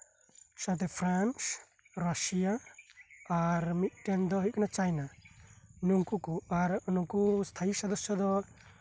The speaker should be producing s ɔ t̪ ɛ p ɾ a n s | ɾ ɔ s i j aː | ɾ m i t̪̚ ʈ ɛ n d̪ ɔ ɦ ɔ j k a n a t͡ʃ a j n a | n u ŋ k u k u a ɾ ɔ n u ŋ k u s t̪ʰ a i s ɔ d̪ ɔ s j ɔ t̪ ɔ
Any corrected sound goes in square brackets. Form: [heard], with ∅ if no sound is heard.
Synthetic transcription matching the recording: s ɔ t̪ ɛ [pʰ] ɾ a n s | ɾ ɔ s i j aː | ɾ m i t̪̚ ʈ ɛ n d̪ ɔ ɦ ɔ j k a n a t͡ʃ a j n a | n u ŋ k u k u a ɾ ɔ n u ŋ k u s t̪ʰ a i s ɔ d̪ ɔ s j ɔ [d̪] ɔ